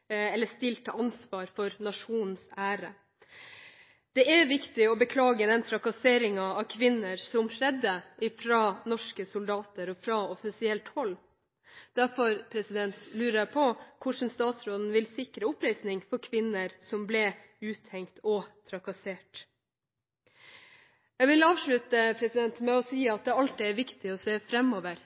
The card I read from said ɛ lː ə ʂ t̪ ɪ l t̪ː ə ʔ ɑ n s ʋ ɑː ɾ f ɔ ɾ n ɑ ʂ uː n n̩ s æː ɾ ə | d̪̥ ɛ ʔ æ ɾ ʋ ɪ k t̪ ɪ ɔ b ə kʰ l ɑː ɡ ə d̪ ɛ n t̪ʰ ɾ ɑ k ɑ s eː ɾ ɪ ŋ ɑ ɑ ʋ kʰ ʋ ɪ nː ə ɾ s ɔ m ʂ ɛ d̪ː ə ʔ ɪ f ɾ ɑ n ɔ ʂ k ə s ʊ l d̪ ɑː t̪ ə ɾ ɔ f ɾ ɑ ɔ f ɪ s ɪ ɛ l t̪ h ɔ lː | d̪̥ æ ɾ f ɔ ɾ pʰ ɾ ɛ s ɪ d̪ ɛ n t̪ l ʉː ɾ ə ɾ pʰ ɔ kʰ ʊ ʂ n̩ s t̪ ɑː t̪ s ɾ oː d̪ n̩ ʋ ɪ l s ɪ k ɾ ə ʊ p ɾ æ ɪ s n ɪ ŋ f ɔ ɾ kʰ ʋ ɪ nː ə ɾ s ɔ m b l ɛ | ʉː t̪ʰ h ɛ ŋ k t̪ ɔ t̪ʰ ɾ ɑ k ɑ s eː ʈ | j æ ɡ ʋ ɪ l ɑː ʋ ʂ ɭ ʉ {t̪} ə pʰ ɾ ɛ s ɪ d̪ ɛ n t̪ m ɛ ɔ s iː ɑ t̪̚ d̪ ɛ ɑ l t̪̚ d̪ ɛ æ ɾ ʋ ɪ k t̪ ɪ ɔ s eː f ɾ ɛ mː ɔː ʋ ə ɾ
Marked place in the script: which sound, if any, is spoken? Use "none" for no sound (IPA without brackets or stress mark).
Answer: t̪